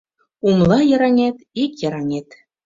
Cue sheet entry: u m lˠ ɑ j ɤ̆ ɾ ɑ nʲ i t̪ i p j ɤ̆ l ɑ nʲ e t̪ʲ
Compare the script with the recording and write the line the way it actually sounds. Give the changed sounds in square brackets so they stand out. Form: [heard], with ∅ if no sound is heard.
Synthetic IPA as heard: u m lˠ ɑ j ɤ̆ ɾ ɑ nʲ [e] t̪ i [k] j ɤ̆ [ɾ] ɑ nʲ e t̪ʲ